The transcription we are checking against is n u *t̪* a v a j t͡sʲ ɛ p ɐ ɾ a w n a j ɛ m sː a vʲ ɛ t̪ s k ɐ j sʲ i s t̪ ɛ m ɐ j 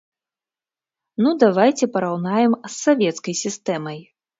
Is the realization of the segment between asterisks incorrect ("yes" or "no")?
yes